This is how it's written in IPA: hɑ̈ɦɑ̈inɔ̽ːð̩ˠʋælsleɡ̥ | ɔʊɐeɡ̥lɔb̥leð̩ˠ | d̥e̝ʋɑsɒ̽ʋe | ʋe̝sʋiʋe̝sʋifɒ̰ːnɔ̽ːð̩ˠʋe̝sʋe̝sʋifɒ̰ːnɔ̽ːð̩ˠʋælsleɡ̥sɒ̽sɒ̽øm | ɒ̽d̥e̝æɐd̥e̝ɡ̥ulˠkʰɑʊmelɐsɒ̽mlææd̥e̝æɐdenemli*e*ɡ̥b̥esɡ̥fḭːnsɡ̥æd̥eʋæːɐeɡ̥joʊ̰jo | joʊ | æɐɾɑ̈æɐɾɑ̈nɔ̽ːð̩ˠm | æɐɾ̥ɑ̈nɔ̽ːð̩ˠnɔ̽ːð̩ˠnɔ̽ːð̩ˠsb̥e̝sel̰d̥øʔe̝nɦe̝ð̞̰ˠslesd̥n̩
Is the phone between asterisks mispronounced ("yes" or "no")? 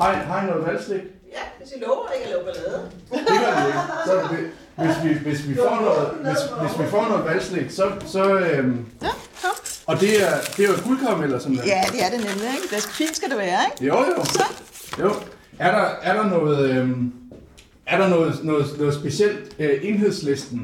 no